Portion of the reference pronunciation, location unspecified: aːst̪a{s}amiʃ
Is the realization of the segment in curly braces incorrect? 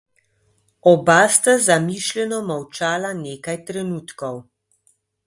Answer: yes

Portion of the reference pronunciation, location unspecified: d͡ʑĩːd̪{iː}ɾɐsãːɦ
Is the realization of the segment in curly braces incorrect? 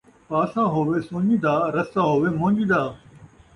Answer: yes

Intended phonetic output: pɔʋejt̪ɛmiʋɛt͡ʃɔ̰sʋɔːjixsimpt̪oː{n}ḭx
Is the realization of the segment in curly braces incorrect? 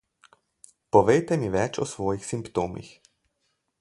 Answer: yes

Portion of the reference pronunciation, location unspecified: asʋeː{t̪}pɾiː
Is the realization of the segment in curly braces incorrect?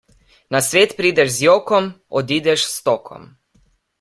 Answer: no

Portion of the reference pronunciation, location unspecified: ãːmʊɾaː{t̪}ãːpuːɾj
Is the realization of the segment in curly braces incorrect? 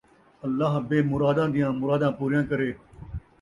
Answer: yes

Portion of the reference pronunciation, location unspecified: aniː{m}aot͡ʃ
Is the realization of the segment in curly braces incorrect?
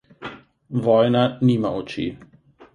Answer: no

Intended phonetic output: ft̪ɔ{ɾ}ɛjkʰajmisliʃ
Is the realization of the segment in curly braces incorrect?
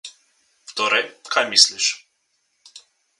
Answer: no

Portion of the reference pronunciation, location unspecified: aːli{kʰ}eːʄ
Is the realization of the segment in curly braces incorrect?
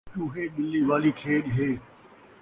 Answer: no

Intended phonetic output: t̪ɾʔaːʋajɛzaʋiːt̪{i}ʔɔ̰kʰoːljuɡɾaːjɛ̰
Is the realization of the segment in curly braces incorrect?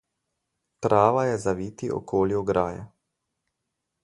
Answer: no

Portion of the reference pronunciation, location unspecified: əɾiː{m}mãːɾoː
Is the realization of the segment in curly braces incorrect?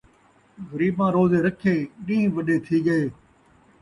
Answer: yes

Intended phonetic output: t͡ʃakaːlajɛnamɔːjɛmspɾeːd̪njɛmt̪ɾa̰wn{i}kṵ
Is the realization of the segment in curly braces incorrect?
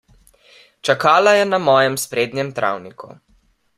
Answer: no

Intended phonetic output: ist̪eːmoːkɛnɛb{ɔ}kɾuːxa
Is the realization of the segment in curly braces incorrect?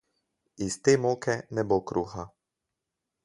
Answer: yes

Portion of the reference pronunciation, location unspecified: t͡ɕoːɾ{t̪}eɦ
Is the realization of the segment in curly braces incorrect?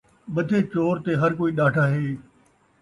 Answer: no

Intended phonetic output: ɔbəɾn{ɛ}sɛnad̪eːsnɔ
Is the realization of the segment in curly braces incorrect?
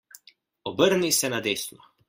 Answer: yes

